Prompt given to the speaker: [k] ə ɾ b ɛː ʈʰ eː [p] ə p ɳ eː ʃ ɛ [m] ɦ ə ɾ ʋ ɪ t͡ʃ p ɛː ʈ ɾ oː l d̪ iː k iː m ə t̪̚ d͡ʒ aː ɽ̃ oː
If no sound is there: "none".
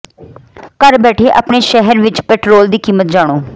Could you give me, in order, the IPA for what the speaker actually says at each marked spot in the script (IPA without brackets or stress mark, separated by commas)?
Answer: k, ʔ, none